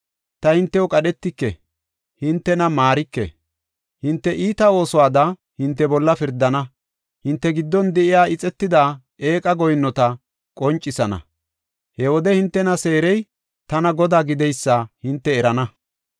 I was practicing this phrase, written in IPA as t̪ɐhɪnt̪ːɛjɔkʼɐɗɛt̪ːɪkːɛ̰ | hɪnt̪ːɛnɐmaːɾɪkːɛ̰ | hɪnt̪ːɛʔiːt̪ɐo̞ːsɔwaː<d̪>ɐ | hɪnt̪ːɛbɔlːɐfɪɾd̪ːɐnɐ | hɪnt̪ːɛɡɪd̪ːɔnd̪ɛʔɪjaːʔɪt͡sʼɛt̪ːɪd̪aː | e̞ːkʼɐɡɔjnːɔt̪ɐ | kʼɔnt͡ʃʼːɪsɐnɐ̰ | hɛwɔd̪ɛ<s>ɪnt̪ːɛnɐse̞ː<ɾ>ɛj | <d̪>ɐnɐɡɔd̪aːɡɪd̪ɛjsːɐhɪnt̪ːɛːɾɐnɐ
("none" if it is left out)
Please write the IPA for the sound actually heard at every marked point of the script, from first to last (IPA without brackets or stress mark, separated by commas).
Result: d̪, h, ɾ, t̪